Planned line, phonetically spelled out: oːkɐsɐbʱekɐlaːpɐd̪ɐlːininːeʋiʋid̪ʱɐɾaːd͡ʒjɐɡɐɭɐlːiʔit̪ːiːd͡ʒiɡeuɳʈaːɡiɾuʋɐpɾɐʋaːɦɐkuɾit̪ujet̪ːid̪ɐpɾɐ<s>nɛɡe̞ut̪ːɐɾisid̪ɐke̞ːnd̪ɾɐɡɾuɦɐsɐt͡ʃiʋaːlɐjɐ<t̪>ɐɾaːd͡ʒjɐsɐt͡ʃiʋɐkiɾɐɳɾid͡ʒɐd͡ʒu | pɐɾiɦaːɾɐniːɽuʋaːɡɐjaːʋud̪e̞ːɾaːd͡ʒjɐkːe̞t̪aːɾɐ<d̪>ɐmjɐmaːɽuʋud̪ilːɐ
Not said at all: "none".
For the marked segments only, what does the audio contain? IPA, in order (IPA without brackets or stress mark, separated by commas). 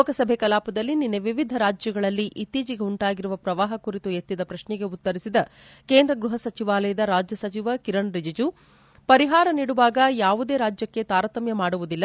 ʃ, d̪, t̪